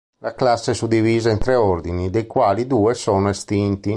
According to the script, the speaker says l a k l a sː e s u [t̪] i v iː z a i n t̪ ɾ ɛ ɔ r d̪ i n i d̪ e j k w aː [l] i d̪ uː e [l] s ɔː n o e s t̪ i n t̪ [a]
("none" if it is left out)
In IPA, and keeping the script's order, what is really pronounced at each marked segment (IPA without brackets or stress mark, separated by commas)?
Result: d̪, l, none, i